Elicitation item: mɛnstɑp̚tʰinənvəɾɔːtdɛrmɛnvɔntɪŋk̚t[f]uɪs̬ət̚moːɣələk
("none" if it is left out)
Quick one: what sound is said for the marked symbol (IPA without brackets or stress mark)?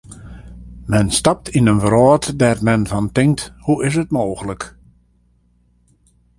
h